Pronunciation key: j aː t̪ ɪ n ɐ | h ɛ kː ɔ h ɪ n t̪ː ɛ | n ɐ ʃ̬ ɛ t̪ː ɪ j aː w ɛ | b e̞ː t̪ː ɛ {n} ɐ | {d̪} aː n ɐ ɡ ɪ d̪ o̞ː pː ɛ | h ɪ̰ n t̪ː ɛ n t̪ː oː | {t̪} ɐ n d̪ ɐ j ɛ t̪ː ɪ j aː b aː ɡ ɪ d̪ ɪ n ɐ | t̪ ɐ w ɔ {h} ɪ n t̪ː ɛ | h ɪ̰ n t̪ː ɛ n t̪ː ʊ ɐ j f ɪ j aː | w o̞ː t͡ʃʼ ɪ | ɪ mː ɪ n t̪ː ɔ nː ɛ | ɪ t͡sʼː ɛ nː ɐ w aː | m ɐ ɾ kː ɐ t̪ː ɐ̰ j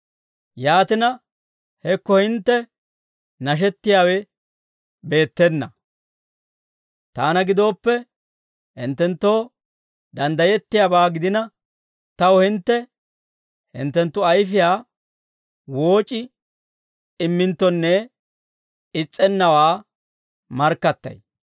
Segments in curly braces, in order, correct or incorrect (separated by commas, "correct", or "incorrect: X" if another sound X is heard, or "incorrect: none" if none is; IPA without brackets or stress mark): incorrect: nː, incorrect: t̪, incorrect: d̪, correct